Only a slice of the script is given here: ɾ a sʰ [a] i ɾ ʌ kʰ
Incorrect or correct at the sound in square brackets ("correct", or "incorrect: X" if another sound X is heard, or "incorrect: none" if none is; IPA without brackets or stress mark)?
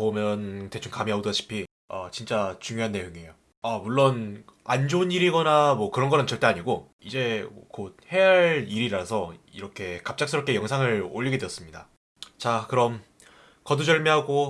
incorrect: ʌ